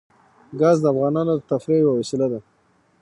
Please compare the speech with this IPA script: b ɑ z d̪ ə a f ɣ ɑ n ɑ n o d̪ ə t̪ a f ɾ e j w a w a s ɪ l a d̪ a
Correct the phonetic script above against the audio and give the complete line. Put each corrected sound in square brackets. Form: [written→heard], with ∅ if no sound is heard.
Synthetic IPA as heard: [b→ɡ] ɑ z d̪ ə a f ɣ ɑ n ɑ n o d̪ ə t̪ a f ɾ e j w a w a s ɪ l a d̪ a